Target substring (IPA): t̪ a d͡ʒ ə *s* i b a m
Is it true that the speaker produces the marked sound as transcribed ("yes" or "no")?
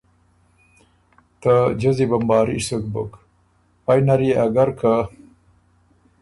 no